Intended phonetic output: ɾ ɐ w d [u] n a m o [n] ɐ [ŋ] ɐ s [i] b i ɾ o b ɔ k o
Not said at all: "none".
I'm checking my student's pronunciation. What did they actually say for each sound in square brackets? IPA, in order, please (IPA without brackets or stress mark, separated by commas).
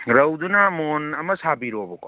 u, n, m, a